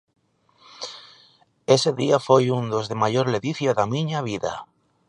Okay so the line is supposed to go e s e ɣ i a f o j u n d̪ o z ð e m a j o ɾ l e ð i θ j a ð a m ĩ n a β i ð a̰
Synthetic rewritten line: e s e ð i a f o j u n d̪ o z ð e m a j o ɾ l e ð i θ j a ð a m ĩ ɲ a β i ð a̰